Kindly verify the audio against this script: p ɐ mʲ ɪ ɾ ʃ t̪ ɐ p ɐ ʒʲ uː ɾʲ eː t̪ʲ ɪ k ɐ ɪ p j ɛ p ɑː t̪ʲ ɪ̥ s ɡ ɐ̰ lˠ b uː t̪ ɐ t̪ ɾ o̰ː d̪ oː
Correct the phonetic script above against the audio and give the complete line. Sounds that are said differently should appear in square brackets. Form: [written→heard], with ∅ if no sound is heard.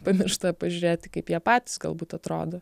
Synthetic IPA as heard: p ɐ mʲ ɪ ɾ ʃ t̪ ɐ p ɐ ʒʲ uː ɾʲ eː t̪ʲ ɪ k ɐ ɪ p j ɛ p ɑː t̪ʲ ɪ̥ s ɡ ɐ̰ lˠ b uː t̪ ɐ t̪ ɾ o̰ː d̪ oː